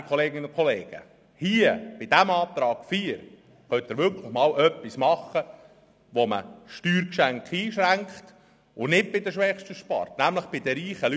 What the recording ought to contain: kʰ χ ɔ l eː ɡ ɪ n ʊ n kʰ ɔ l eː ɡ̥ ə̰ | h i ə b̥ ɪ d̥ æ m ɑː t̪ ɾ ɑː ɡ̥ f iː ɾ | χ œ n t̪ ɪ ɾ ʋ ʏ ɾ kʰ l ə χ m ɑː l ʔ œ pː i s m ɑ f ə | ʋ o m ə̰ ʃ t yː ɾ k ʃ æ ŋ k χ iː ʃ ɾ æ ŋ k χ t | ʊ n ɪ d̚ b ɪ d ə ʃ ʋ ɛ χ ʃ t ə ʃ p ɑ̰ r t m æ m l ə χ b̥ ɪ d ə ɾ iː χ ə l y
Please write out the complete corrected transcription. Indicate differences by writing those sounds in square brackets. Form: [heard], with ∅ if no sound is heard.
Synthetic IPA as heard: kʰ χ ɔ l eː ɡ ɪ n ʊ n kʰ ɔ l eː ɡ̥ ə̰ | h i ə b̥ ɪ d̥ æ m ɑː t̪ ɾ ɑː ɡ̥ f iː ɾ | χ œ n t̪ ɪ ɾ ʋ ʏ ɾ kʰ l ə χ m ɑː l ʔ œ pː i s m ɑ [χ] ə | ʋ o m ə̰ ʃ t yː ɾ k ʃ æ ŋ k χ iː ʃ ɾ æ ŋ k χ t | ʊ n ɪ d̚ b ɪ d ə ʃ ʋ ɛ χ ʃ t ə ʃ p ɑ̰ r t [n] æ m l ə χ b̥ ɪ d ə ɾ iː χ ə l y